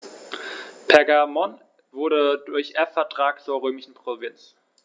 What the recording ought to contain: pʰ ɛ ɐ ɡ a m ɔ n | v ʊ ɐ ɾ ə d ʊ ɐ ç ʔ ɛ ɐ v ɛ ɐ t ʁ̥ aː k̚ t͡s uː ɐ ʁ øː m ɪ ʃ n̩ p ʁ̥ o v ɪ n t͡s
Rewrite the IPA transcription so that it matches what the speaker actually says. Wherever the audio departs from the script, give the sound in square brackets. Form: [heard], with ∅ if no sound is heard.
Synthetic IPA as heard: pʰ ɛ ɐ ɡ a m ɔ n | v ʊ ɐ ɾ ə d ʊ ɐ ç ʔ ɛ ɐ [f] ɛ ɐ t ʁ̥ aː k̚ t͡s uː ɐ ʁ øː m ɪ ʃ n̩ p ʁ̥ o v ɪ n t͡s